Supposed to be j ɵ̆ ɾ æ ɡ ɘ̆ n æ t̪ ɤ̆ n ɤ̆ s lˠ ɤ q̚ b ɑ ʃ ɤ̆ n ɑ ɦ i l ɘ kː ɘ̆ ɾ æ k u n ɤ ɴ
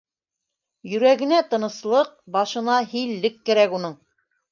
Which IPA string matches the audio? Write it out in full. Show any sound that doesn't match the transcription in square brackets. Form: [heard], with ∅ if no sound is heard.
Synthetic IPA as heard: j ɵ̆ ɾ æ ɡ ɘ̆ n æ t̪ ɤ̆ n ɤ̆ s lˠ ɤ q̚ b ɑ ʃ ɤ̆ n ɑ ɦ i [lː] ɘ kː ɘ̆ ɾ æ k u n ɤ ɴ